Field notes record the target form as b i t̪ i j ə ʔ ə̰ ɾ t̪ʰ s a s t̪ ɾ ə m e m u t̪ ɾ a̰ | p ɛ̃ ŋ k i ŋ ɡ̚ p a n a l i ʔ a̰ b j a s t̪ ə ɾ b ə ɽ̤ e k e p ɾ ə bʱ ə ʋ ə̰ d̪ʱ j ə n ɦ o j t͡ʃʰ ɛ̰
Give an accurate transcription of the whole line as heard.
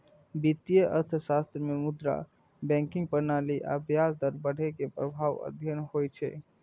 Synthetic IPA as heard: b i t̪ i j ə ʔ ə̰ ɾ t̪ʰ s a s t̪ ɾ ə m e m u d̪ ɾ a̰ | b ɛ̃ ŋ k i ŋ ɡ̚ p ə n a l i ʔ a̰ b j a s d̪ ə ɾ b ə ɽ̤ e k e p ɾ ə bʱ a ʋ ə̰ d̪ʱ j ə n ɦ o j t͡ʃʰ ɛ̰